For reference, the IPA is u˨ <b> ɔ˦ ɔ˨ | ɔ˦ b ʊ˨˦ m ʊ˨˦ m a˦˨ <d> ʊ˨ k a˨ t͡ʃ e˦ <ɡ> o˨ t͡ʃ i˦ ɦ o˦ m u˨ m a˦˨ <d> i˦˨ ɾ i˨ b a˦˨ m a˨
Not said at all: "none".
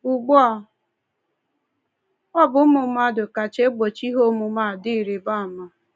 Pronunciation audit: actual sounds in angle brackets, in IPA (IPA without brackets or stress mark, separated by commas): ɡ͡b, d, ɡ͡b, d